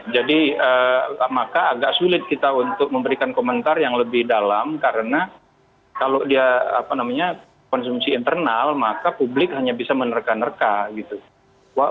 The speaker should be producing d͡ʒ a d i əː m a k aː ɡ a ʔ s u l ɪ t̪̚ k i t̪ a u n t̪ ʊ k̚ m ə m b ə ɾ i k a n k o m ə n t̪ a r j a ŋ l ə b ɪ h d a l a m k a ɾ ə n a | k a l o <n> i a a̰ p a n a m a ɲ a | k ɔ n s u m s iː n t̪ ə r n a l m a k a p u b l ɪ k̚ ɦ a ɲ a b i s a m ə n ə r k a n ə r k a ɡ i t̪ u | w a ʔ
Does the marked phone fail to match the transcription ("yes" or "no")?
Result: yes